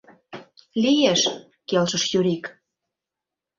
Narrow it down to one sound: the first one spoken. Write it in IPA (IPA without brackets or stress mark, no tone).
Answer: l